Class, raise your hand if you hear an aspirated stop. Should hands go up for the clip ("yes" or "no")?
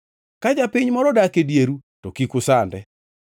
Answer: no